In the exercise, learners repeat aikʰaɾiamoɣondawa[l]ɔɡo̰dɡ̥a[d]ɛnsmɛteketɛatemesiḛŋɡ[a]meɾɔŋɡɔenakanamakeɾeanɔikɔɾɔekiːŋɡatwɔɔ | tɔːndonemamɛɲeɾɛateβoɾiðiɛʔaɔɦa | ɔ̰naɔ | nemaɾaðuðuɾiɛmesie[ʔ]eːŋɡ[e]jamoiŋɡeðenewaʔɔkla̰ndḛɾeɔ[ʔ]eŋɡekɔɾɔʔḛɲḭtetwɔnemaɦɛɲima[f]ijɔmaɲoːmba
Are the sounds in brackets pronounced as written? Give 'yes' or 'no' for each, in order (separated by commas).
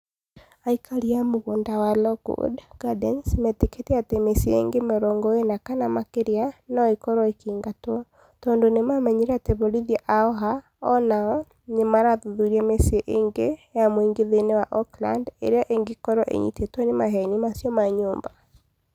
yes, yes, no, yes, yes, yes, no